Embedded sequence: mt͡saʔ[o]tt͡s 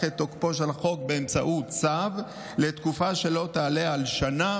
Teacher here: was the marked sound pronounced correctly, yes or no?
no